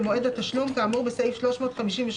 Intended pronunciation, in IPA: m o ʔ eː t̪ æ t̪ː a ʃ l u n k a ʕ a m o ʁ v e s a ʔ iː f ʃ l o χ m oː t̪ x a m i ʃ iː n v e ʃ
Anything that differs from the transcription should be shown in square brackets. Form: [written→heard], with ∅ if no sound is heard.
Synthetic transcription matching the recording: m o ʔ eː [t̪→d̪] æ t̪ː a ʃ l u [n→m] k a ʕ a m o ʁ [v→b] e s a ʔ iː f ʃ l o [χ→ʃ] m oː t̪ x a m i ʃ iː n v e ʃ